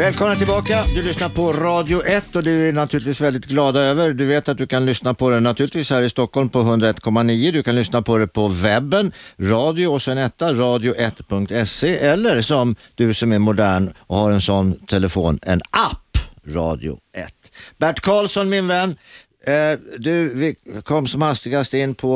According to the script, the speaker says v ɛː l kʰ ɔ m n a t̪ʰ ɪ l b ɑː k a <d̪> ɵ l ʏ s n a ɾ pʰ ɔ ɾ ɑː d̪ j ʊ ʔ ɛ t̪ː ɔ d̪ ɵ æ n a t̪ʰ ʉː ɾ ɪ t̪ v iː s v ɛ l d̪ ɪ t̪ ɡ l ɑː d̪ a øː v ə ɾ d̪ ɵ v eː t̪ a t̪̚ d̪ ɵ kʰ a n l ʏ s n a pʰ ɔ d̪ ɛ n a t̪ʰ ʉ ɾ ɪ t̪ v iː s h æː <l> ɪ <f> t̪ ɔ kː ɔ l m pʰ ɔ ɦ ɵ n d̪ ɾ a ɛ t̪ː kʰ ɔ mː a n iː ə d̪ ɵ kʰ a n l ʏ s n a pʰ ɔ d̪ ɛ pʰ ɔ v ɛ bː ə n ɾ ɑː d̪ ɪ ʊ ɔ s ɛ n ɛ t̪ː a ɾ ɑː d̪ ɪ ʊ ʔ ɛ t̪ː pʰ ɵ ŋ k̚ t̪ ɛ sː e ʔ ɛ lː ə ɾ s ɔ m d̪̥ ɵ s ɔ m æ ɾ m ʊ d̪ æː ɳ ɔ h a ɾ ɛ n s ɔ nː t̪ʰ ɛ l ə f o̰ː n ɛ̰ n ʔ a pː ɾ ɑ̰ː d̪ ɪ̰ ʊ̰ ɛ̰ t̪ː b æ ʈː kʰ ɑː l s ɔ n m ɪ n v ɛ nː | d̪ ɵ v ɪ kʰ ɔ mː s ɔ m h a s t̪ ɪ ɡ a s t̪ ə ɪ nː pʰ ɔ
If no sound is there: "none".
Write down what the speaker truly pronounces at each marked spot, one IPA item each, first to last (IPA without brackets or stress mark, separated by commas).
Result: d̪, ɾ, s